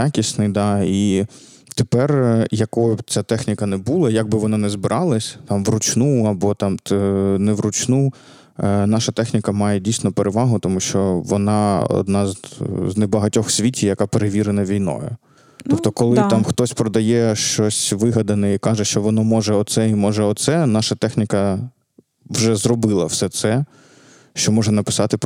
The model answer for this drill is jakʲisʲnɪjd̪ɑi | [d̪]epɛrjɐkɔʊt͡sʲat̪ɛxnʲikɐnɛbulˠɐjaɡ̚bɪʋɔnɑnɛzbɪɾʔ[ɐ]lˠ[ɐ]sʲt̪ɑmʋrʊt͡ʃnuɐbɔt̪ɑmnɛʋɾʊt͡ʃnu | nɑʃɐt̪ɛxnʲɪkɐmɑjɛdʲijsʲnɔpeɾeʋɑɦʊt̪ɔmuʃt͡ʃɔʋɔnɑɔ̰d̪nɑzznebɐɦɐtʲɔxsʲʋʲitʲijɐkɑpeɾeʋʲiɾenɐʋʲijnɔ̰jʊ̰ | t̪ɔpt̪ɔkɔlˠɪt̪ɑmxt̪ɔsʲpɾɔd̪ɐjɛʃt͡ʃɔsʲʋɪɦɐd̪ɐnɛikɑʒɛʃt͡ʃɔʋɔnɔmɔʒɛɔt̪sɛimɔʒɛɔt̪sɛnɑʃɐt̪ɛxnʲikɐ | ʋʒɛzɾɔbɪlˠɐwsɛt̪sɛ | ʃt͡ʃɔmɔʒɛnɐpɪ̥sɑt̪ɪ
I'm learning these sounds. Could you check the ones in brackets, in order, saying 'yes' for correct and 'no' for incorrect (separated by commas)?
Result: no, no, yes